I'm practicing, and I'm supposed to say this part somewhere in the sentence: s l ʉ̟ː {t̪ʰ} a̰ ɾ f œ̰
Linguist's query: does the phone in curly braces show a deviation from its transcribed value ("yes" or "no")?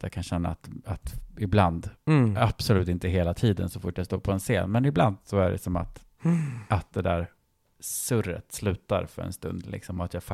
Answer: yes